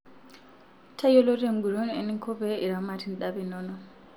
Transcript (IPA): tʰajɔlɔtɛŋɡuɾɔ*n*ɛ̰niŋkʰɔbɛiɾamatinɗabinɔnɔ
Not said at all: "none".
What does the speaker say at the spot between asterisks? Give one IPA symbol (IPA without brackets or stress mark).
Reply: n